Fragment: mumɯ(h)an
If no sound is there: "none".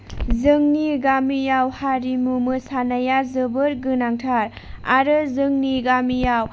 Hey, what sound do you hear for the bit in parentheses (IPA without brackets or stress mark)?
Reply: s